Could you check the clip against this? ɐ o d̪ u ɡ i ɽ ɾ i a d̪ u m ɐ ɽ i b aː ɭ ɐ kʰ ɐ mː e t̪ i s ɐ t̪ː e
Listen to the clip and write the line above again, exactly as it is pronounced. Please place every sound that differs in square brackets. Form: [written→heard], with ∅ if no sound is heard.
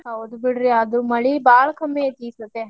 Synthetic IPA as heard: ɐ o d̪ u [ɡ→b] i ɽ ɾ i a d̪ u m ɐ [ɽ→ɭ] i b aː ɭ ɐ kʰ ɐ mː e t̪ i s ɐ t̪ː e